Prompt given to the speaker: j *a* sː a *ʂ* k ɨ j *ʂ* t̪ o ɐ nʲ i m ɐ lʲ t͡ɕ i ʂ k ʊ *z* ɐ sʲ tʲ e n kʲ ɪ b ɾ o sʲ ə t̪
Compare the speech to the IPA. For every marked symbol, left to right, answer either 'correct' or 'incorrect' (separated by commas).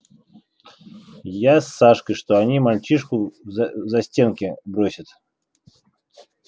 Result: correct, correct, correct, correct